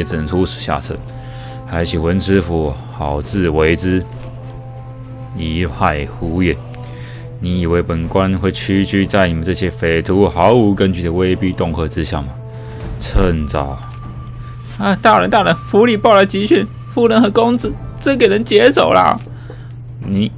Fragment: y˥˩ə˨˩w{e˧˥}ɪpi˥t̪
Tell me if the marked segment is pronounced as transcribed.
no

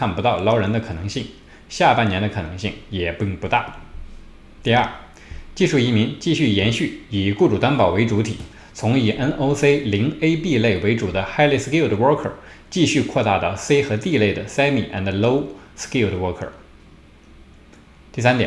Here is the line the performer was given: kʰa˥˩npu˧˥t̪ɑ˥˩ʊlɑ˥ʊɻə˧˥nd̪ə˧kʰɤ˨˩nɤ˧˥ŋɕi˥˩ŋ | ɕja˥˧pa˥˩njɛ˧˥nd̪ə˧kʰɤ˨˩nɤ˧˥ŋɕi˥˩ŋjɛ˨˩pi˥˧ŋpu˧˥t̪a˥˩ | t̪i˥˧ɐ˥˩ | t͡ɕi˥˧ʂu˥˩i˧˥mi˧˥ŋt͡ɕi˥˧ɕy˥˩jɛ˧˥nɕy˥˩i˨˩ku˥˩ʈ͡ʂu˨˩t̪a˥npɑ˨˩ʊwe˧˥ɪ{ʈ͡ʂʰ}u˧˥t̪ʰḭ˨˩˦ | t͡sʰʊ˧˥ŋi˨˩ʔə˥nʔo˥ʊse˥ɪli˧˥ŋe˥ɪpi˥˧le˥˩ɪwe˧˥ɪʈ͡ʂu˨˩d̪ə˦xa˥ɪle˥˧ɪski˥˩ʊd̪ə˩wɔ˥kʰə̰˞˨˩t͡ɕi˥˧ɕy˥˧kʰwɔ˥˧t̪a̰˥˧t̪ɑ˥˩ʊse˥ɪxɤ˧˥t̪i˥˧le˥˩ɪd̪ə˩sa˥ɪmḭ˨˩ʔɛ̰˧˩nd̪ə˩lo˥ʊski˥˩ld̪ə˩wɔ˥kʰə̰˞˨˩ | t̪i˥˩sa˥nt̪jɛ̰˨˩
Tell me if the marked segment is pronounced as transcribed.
no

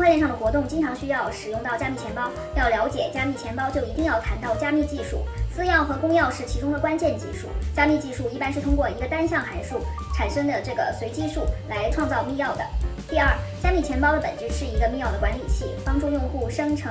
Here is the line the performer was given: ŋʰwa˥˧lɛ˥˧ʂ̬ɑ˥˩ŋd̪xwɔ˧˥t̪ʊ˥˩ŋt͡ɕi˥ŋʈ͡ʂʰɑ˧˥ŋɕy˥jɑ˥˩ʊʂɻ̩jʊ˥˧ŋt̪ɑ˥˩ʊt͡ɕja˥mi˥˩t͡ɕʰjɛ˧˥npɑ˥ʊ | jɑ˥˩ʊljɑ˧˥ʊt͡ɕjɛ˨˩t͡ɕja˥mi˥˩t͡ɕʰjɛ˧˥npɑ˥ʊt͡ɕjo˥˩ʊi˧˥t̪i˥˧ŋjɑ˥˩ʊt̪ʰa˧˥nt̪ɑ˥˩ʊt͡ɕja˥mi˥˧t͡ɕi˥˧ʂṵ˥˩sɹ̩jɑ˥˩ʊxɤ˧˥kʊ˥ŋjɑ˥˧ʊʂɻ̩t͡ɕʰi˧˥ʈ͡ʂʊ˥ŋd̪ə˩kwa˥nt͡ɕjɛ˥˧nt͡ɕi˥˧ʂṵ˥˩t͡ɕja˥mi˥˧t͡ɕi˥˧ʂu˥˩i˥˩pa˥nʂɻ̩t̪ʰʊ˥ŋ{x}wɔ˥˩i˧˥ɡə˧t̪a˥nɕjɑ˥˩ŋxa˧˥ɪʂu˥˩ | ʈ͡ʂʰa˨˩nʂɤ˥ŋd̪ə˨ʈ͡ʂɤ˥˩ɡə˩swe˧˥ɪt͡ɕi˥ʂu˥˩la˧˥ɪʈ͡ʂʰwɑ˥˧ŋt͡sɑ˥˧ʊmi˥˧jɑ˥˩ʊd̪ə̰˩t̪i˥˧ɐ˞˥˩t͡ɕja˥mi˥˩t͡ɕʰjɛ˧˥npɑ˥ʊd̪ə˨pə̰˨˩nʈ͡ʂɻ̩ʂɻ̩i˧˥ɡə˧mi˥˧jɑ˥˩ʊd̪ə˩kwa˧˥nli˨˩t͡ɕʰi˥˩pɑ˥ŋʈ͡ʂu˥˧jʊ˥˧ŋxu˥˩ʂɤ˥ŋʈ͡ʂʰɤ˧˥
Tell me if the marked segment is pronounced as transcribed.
no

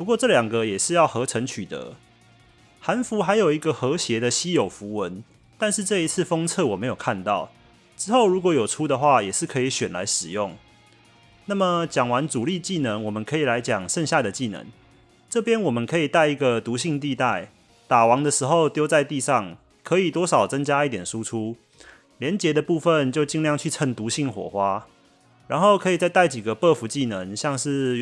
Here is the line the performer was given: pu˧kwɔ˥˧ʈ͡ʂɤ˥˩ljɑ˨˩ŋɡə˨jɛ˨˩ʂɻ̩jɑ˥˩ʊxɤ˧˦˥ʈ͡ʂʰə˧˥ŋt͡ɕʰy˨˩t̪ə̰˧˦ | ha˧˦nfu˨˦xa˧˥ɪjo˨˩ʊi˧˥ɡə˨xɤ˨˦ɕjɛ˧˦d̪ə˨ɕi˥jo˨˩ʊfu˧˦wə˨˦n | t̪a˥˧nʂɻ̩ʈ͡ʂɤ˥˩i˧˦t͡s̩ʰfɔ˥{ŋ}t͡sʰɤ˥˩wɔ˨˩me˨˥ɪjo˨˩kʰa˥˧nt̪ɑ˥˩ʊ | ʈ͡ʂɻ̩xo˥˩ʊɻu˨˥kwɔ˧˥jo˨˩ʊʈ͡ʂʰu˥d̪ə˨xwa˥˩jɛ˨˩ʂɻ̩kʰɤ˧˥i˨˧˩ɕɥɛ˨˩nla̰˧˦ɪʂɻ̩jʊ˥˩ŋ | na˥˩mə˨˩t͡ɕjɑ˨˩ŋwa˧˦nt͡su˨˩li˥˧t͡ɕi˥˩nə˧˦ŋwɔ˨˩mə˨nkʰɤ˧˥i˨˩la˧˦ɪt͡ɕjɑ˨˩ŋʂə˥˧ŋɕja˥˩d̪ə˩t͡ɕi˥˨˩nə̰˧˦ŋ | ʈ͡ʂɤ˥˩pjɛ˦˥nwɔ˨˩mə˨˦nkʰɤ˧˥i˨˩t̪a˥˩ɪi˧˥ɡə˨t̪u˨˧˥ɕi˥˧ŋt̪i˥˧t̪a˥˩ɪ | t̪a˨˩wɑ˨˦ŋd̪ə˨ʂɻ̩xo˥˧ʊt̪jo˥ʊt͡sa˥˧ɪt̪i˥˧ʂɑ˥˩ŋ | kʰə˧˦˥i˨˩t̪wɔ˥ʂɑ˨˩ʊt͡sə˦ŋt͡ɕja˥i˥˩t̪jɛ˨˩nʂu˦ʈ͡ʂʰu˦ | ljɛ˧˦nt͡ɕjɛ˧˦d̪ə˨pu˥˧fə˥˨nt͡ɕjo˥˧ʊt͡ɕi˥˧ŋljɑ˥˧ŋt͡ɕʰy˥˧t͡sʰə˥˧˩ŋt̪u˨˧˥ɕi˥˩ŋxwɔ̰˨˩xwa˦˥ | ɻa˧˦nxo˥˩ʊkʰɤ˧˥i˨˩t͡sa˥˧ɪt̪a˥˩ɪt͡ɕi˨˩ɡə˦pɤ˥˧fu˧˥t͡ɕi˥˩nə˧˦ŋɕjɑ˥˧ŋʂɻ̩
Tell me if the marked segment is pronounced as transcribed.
yes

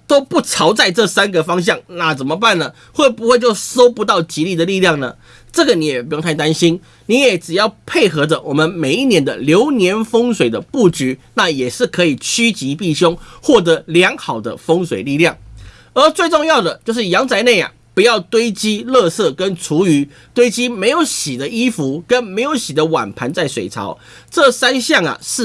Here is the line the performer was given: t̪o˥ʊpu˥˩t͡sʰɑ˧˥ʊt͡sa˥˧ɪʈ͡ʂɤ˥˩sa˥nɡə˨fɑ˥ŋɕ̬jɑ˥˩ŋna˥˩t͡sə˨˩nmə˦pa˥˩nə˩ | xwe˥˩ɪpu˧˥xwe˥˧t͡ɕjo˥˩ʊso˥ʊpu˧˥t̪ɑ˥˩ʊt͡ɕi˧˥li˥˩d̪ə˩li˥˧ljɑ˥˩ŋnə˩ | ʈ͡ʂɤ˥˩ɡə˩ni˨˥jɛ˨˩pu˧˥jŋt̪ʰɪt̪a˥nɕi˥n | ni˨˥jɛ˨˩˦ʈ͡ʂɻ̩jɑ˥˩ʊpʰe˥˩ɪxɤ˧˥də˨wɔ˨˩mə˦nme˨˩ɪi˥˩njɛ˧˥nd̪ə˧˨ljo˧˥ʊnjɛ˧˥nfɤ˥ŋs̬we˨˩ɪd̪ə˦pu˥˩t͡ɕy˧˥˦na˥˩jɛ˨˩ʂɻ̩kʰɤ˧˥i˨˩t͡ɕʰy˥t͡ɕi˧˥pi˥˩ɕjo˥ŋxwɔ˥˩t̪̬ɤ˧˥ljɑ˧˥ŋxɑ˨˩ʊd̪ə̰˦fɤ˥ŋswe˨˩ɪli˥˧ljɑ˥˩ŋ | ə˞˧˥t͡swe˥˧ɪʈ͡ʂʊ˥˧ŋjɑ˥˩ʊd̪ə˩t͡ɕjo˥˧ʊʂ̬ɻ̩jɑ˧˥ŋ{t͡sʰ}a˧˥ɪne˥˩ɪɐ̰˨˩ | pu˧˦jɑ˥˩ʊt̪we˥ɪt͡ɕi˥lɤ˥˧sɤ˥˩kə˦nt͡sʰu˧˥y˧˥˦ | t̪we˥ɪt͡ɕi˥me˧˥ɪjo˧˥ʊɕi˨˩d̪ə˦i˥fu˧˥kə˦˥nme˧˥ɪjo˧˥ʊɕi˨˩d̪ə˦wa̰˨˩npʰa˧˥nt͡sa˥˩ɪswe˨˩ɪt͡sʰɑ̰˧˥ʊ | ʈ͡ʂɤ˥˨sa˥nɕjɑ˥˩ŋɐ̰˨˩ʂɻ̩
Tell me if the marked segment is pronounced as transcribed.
no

